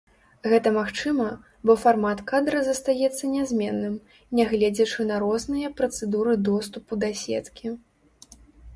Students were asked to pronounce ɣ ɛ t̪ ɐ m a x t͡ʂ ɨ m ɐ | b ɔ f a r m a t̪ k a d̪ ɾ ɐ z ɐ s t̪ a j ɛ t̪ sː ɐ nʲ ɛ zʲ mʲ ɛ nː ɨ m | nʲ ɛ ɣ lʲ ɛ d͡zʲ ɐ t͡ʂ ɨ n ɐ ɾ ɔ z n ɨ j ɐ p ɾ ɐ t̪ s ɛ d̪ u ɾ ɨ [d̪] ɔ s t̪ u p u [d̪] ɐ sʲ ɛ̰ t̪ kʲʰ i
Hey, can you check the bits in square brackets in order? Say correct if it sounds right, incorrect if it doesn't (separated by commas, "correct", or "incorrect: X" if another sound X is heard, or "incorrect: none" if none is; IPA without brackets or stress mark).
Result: correct, correct